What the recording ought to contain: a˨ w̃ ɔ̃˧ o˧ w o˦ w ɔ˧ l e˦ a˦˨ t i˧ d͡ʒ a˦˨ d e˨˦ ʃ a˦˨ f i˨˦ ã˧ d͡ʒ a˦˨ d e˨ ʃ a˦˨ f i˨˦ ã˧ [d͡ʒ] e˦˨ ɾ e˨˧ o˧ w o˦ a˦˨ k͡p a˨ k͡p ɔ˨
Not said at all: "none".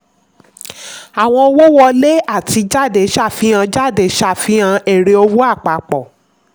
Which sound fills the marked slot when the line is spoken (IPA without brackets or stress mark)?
none